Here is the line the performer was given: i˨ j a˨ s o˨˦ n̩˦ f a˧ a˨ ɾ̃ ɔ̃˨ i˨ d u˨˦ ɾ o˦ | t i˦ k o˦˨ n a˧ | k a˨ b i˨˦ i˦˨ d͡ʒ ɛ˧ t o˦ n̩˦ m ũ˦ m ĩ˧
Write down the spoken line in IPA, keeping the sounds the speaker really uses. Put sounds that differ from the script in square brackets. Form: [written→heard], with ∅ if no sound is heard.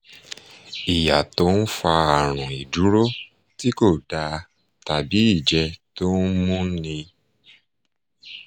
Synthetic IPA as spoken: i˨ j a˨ [s→t] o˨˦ n̩˦ f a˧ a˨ ɾ̃ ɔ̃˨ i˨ d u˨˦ ɾ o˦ | t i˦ k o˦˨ [n→d] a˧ | [k→t] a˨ b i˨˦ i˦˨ d͡ʒ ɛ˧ t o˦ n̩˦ m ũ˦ [m→n] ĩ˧